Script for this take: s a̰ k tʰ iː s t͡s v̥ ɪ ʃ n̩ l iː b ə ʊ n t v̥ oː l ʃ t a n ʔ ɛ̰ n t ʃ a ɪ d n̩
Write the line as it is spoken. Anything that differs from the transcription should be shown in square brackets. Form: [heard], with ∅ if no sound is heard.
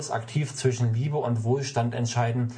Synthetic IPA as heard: s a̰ k tʰ iː [f] t͡s v̥ ɪ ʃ n̩ l iː b ə ʊ n t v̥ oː l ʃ t a n [t] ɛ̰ n t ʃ a ɪ d n̩